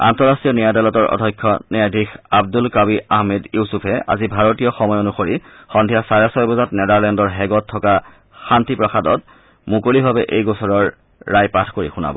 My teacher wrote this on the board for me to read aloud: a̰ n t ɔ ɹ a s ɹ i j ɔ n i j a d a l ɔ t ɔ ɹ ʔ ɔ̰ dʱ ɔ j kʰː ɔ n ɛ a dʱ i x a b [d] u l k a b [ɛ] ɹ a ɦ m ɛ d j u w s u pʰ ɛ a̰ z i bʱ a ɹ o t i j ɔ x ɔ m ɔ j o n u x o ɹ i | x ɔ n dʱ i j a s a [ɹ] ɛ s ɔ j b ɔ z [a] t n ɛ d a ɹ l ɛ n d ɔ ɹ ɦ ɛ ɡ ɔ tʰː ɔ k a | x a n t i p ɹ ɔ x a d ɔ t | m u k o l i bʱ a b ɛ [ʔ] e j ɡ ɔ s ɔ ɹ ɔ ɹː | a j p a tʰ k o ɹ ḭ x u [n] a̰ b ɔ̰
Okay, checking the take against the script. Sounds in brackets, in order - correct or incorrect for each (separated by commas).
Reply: correct, incorrect, correct, correct, correct, correct